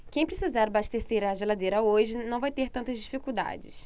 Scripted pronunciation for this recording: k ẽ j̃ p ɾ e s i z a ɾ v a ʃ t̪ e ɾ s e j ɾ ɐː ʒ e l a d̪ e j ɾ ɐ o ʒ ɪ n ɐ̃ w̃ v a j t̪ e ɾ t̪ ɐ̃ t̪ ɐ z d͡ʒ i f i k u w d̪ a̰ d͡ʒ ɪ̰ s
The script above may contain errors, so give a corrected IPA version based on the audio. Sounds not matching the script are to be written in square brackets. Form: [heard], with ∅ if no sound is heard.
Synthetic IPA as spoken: k ẽ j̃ p ɾ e s i z a ɾ [b] a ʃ t̪ e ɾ s e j ɾ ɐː ʒ e l a d̪ e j ɾ ɐ o ʒ ɪ n ɐ̃ w̃ v a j t̪ e ɾ t̪ ɐ̃ t̪ ɐ z d͡ʒ i f i k u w d̪ a̰ d͡ʒ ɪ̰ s